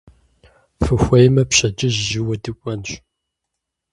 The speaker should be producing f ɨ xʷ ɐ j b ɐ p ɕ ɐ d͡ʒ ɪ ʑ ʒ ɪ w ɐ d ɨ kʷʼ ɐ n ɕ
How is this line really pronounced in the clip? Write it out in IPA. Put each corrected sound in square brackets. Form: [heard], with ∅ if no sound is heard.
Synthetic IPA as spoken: f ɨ xʷ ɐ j [m] ɐ p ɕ ɐ d͡ʒ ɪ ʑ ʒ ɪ w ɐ d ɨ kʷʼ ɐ n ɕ